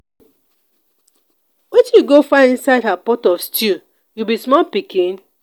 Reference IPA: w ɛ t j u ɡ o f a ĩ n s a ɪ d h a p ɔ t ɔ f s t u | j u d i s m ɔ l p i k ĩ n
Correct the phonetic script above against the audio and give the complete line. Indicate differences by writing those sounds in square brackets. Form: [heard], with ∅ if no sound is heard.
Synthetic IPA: w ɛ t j u ɡ o f a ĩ n s a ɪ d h a p ɔ t ɔ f s t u | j u [b] i s m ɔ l p i k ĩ n